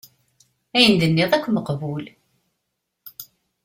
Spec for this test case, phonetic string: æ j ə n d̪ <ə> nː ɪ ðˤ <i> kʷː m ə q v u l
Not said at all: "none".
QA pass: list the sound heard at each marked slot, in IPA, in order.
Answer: ə, æ

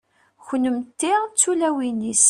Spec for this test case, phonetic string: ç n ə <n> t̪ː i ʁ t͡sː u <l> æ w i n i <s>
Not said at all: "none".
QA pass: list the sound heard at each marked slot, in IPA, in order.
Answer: m, l, s

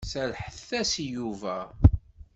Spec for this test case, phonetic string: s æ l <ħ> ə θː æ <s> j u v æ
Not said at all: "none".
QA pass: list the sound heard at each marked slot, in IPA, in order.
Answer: ħ, s

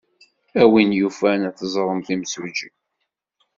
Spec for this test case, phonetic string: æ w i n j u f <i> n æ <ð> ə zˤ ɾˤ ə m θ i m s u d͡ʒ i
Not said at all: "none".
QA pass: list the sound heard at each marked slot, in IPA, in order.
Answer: æ, θ

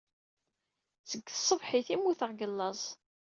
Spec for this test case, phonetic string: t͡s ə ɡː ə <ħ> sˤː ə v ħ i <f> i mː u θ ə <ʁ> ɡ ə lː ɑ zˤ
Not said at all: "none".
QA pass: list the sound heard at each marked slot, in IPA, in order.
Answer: none, θ, ʁ

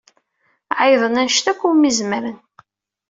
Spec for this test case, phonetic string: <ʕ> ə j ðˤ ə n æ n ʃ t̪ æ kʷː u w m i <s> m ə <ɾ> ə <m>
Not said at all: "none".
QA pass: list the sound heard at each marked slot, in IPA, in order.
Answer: ʕ, z, ɾ, n

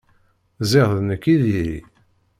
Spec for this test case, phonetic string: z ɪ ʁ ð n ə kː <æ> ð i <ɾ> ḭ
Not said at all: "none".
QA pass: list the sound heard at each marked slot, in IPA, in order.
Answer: i, ɾ

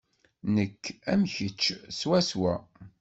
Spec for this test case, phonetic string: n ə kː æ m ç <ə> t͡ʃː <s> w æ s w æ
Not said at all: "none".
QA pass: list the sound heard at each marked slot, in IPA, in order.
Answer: ə, s

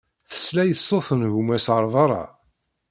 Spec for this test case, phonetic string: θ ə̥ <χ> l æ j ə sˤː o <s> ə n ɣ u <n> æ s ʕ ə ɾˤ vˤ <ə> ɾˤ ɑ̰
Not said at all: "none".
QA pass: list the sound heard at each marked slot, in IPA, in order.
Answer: s, θ, m, ɑ

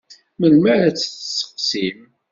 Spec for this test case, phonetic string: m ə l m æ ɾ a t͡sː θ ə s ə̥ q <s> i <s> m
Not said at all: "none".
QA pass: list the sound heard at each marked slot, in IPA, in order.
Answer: s, none

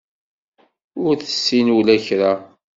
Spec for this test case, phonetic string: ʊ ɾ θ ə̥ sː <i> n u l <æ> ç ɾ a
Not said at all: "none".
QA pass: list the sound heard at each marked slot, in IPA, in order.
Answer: i, æ

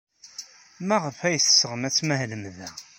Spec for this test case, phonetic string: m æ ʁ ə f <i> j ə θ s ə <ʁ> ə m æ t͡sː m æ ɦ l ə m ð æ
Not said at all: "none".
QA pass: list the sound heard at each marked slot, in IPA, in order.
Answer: æ, ʁ

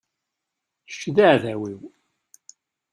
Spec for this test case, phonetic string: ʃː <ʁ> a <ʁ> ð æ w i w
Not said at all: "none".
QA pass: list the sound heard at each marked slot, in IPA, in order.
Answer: ð, ʕ

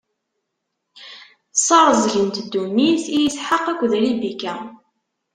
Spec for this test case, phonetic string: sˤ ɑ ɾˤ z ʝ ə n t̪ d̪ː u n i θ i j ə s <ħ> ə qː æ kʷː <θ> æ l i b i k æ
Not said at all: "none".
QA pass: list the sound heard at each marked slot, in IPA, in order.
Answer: ħ, ð

